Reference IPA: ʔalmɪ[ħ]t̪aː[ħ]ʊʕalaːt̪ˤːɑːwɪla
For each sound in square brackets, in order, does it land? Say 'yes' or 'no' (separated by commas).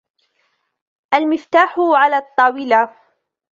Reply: no, yes